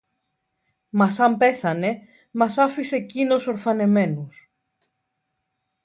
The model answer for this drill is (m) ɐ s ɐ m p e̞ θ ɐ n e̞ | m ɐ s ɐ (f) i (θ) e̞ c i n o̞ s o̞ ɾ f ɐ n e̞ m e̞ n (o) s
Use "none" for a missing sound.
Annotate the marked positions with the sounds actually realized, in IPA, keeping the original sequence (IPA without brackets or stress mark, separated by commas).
m, f, s, u